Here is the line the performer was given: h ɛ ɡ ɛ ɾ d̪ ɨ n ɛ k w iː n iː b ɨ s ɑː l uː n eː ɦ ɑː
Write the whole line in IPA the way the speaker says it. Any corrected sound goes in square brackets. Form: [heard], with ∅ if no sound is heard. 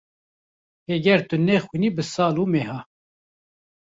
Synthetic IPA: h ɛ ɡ ɛ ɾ [t̪] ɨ n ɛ [x] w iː n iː b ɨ s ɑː l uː [m] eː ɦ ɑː